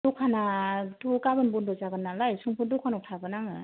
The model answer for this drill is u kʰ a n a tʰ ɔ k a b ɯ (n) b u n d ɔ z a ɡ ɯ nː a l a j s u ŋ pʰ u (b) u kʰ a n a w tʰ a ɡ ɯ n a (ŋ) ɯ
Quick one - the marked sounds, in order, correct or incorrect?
correct, incorrect: d, correct

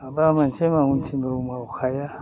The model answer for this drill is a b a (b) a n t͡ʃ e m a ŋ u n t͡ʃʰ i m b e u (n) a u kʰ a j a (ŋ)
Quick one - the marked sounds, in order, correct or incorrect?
incorrect: m, incorrect: m, incorrect: none

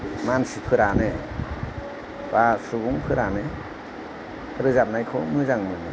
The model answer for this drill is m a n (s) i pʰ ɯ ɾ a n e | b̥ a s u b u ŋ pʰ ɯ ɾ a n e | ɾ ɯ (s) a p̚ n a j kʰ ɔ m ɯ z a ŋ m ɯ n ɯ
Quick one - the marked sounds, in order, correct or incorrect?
correct, incorrect: z

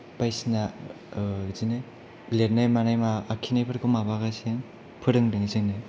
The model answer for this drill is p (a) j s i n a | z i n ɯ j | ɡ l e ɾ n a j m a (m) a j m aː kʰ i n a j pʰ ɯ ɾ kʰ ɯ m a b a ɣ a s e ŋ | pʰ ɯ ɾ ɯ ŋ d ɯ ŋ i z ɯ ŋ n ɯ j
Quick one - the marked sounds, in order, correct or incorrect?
correct, incorrect: n

